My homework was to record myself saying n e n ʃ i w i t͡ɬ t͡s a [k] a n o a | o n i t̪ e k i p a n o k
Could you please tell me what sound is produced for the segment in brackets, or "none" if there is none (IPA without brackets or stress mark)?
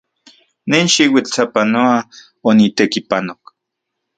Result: p